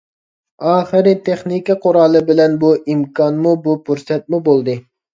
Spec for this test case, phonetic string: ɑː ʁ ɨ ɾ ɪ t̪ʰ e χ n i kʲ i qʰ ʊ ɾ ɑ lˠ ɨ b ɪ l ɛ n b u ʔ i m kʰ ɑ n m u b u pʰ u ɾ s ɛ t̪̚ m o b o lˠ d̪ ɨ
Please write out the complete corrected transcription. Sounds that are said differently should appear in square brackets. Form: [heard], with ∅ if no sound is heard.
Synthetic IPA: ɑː [χ] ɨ ɾ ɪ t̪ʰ e χ n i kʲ i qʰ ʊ ɾ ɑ lˠ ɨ b ɪ l ɛ n b u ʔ i m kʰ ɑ n m u b u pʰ u ɾ s ɛ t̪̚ m [u] b o lˠ d̪ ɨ